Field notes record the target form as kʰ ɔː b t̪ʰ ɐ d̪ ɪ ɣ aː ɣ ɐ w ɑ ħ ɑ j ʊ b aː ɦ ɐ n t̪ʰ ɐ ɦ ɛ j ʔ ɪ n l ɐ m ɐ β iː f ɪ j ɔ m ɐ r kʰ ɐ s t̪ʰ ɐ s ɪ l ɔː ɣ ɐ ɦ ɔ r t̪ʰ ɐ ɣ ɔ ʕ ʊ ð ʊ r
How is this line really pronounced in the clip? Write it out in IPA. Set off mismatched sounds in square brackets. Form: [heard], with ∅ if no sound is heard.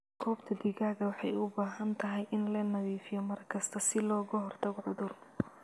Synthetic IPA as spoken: kʰ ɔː b t̪ʰ ɐ d̪ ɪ ɣ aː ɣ ɐ w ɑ ħ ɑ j ʊ b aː ɦ ɐ n t̪ʰ ɐ ɦ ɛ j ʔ ɪ n l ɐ [n] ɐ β iː f ɪ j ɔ m ɐ r kʰ ɐ s t̪ʰ ɐ s ɪ l ɔː ɣ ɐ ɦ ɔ r t̪ʰ ɐ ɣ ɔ ʕ ʊ ð ʊ r